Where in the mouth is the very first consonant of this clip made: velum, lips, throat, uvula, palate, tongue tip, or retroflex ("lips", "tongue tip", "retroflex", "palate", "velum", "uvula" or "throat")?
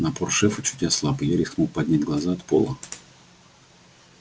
tongue tip